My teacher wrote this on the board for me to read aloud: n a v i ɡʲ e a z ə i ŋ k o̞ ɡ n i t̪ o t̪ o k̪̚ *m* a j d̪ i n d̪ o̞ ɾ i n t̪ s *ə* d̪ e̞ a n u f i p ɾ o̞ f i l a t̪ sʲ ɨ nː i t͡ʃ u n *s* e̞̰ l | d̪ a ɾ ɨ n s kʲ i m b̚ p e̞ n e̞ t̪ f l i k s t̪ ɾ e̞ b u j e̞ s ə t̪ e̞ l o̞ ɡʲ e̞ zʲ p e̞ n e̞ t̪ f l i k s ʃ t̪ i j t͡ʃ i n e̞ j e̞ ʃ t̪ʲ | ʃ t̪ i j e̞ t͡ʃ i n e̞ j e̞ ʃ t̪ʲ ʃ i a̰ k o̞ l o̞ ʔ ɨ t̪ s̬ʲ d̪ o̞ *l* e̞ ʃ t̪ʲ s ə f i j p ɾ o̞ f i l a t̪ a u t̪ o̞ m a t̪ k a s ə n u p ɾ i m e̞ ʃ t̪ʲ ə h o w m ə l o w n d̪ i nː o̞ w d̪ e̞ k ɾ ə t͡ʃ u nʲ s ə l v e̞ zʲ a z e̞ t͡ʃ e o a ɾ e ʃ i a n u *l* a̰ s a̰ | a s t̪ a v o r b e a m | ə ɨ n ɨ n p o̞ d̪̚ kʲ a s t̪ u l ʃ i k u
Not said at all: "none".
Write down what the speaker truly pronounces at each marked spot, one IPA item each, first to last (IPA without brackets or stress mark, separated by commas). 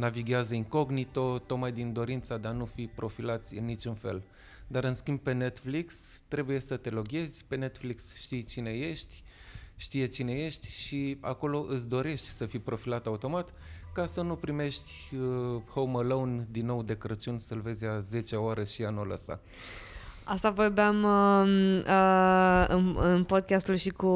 m, a, f, ɾ, l